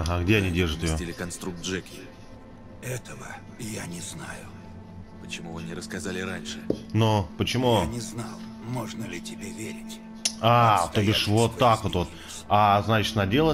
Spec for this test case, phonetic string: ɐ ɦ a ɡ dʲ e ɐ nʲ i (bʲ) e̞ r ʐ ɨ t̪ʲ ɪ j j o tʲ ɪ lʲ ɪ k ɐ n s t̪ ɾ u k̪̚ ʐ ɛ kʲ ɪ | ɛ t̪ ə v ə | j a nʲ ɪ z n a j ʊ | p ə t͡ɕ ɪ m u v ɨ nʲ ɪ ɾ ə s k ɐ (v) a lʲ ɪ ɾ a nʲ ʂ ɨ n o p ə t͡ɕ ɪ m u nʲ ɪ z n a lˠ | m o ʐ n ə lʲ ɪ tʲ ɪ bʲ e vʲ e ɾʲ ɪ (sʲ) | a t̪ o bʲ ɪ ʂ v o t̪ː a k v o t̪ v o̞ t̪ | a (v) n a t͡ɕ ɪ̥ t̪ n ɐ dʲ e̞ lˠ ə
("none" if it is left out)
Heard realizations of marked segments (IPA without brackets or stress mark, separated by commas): dʲ, z, tʲ, z